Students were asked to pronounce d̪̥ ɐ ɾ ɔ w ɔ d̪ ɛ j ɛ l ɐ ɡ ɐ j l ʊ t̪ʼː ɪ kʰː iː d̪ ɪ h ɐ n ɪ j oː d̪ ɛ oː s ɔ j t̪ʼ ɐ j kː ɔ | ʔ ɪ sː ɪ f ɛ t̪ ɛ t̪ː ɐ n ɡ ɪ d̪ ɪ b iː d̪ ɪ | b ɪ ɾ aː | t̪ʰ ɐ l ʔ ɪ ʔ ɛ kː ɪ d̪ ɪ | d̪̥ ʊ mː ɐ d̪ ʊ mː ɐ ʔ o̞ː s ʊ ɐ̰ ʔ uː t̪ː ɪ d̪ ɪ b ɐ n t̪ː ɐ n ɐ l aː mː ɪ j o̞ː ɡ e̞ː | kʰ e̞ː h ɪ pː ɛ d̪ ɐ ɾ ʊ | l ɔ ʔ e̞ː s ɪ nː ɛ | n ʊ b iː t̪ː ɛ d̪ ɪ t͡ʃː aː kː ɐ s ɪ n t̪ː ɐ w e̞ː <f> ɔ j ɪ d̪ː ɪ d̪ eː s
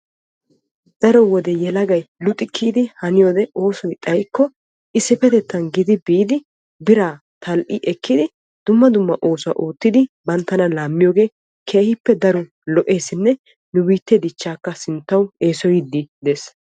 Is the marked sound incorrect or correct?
incorrect